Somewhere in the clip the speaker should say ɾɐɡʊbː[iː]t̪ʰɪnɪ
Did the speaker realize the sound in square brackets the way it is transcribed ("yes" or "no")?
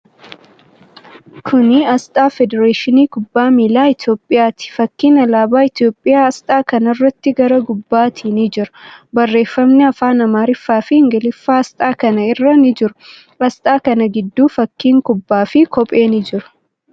no